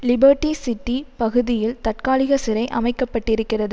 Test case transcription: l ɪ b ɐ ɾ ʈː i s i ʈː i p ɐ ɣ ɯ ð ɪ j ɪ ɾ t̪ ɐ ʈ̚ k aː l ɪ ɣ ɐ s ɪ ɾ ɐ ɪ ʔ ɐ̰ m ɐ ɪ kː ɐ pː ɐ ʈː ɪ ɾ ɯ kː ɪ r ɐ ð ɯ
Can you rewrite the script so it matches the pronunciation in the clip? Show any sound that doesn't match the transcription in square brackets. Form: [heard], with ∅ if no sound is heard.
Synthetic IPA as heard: l ɪ b ɐ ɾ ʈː i s [ɪ] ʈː i p ɐ ɣ ɯ ð ɪ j ɪ [l] t̪ ɐ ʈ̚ k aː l ɪ ɣ ɐ s ɪ ɾ ɐ ɪ ʔ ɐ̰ m ɐ ɪ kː ɐ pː ɐ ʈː ɪ ɾ ɯ kː ɪ r ɐ ð ɯ